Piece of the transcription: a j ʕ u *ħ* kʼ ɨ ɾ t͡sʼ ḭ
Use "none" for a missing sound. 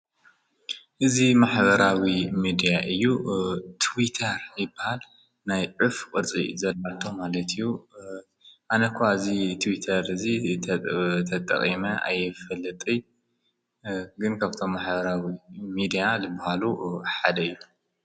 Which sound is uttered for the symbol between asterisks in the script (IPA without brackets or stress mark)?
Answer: f